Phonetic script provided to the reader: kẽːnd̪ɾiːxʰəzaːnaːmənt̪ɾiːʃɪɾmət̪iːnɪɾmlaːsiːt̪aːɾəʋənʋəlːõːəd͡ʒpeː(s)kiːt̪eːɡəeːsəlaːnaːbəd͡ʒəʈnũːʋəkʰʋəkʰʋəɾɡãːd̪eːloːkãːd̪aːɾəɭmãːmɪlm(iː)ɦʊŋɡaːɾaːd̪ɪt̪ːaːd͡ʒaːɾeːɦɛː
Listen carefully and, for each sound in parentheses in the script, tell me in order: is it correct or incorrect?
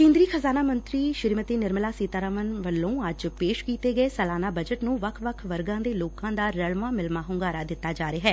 incorrect, incorrect

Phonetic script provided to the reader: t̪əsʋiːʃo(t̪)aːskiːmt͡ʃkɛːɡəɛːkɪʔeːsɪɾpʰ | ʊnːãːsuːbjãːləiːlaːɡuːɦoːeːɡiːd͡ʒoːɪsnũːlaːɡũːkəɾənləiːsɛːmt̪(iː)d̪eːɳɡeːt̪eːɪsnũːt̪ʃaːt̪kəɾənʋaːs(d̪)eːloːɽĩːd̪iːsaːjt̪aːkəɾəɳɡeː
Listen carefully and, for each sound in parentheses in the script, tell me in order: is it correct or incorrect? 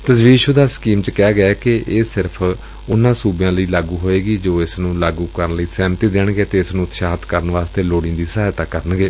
incorrect, correct, incorrect

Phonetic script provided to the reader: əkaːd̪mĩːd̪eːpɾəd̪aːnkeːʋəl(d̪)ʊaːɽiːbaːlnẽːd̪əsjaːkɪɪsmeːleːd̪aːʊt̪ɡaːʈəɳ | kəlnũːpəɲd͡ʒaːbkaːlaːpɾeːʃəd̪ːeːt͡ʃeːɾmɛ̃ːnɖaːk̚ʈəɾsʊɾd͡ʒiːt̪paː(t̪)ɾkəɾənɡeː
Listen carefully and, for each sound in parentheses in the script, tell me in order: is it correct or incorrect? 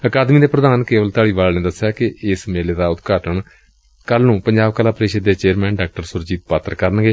incorrect, correct

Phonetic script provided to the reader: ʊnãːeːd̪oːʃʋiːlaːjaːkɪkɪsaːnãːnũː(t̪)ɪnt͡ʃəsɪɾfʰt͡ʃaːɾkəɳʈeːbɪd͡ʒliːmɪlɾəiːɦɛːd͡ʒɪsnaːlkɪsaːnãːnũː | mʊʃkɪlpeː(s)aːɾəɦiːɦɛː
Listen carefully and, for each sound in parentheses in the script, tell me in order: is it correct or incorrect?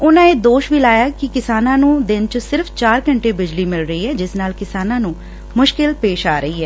incorrect, incorrect

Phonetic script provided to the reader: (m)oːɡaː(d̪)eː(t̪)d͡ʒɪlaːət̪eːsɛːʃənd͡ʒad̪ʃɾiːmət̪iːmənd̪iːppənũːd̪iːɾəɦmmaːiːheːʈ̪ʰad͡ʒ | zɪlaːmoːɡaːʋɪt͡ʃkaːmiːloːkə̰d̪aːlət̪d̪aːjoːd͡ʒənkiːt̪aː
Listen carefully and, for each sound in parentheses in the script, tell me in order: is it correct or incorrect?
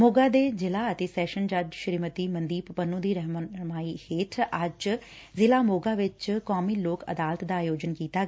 correct, correct, incorrect

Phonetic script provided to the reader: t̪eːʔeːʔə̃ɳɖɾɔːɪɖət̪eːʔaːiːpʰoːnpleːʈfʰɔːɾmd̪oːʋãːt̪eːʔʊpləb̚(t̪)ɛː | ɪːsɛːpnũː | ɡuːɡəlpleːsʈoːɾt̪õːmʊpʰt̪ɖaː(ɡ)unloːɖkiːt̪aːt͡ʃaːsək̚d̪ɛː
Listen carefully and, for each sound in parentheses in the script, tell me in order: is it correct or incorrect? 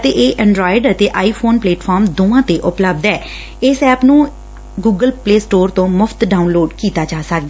incorrect, incorrect

